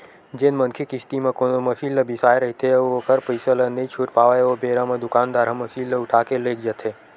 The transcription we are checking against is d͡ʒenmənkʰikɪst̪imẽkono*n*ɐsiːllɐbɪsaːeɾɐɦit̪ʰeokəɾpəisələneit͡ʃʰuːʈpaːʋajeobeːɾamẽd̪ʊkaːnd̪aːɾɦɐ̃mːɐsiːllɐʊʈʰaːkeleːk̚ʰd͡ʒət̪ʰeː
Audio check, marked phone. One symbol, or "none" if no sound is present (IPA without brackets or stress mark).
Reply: m